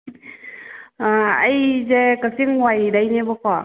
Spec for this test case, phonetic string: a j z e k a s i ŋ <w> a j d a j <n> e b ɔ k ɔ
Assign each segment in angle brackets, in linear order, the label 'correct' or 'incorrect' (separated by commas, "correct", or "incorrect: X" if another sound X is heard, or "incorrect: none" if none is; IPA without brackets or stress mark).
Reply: correct, correct